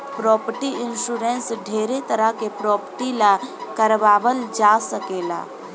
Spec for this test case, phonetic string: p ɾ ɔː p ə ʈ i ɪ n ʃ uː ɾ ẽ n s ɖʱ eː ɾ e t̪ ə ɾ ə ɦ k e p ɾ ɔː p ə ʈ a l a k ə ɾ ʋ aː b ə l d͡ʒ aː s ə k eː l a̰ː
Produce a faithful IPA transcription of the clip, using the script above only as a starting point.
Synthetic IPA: p ɾ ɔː p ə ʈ i ɪ n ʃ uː ɾ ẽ n s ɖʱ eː ɾ e t̪ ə ɾ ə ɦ k e p ɾ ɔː p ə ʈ i l a k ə ɾ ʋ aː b ə l d͡ʒ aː s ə k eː l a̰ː

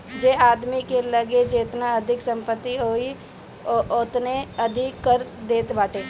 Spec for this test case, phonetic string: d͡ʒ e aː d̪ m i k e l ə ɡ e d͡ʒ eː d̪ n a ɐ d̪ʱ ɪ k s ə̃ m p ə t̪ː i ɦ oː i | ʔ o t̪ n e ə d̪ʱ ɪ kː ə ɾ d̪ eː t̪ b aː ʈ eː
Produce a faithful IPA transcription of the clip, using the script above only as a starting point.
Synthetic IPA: d͡ʒ e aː d̪ m i k e l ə ɡ e d͡ʒ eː t̪ n a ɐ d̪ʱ ɪ k s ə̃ m p ə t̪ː i ɦ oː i | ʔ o t̪ n e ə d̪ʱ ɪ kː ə ɾ d̪ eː t̪ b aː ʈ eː

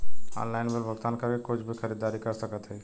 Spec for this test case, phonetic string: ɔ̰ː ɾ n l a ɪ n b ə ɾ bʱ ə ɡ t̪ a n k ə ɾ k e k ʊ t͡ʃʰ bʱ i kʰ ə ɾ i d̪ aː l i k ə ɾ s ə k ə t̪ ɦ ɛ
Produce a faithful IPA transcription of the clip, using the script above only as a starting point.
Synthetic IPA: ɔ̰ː n l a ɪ n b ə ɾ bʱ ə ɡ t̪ a n k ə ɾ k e k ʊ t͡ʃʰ bʱ i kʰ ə ɾ i d̪ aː ɾ i k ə ɾ s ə k ə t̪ ɦ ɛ

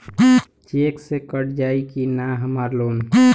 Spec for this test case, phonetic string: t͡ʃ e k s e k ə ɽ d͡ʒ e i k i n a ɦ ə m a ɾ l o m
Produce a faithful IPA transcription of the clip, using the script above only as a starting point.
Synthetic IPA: t͡ʃ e k s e k ə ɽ d͡ʒ a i k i n a ɦ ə m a ɾ l o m

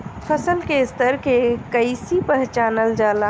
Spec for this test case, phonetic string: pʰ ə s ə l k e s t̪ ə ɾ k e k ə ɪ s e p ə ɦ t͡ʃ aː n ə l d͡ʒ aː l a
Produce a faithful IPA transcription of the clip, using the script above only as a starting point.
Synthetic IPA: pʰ ə s ə l k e s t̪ ə ɾ k e k ə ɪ s i p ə ɦ t͡ʃ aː n ə l d͡ʒ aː l a

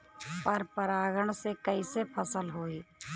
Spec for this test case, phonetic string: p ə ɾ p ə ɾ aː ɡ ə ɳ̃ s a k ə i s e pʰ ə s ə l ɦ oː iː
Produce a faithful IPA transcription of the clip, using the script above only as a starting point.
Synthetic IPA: p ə ɾ p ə ɾ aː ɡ ə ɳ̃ s e k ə i s e pʰ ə s ə l ɦ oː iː

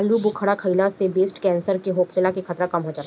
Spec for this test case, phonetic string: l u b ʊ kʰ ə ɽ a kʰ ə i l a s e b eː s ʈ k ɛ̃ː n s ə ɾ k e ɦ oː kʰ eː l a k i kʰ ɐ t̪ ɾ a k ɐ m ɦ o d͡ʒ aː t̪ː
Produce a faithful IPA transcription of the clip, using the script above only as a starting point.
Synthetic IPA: l u b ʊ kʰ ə ɽ a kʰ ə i l a s e b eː s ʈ k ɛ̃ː n s ə ɾ k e ɦ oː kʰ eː l a k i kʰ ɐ t̪ ɾ a k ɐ m ɦ o d͡ʒ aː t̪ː

